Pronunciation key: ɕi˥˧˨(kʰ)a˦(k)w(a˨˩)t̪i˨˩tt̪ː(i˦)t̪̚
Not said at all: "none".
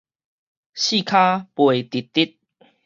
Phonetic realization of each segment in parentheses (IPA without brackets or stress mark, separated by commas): kʰ, p, e˨˩, i˦